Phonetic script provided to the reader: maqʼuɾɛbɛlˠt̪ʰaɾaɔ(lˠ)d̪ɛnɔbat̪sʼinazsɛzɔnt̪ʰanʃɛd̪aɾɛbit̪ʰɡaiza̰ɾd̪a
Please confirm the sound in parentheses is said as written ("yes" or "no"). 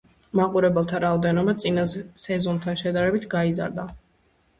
no